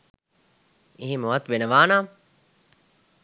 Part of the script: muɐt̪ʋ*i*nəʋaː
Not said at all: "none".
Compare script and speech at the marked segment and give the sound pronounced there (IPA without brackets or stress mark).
e